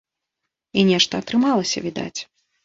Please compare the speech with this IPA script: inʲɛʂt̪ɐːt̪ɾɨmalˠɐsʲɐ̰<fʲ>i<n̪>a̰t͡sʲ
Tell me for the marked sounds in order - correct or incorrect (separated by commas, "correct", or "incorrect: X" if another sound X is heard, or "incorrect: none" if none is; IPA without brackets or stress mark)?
incorrect: vʲ, incorrect: d̪